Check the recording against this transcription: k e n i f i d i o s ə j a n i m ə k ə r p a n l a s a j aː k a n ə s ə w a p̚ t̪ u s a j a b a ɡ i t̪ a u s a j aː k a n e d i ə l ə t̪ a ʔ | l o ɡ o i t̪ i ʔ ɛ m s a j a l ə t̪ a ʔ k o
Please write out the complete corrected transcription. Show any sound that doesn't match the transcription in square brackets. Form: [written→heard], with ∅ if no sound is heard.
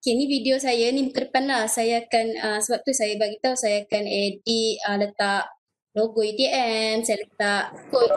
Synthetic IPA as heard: k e n i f i d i o s [ə→a] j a n i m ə k ə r p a n l a s a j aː k a n ə s ə [w→b] a p̚ t̪ u s a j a b a ɡ i t̪ a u s a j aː k a n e d i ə l ə t̪ a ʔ | l o ɡ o i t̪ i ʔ ɛ m s a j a l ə t̪ a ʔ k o